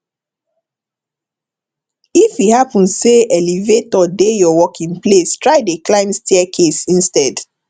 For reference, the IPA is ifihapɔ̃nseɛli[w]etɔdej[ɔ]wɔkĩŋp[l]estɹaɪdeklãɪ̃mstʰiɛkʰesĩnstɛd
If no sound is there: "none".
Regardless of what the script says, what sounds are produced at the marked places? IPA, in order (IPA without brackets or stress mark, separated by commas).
v, ɔ, l